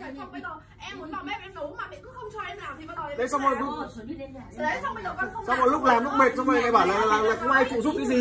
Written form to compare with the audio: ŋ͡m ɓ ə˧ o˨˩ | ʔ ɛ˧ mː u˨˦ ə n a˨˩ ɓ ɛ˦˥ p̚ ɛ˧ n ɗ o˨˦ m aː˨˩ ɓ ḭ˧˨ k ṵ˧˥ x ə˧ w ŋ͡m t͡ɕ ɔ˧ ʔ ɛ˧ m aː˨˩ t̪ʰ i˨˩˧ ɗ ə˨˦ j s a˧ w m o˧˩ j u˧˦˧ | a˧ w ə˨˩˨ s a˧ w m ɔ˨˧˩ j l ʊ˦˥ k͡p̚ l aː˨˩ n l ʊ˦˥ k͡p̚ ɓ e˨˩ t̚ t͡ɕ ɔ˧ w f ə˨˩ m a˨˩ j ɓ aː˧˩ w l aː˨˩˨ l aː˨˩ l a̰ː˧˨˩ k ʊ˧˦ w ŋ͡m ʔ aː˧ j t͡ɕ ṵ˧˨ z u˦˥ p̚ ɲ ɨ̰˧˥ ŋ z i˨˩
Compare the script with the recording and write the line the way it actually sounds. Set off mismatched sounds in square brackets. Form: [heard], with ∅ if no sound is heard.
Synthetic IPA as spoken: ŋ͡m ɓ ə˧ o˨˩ | ʔ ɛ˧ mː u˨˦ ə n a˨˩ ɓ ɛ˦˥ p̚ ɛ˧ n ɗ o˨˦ m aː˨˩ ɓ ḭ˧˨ k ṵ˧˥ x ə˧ w ŋ͡m t͡ɕ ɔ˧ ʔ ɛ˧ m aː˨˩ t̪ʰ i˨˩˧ ɗ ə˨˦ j s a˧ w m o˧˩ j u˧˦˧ | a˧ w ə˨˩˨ s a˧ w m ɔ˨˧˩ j l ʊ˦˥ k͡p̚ l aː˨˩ [m] l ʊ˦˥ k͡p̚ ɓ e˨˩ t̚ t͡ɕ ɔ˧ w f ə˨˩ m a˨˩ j ɓ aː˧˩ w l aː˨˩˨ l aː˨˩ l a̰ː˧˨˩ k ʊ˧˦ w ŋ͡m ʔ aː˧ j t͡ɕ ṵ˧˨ z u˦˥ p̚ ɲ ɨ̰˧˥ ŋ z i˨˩